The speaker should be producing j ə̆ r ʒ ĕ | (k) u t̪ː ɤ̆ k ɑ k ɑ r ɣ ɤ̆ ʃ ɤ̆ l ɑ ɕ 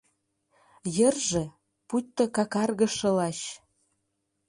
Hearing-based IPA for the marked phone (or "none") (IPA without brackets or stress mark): p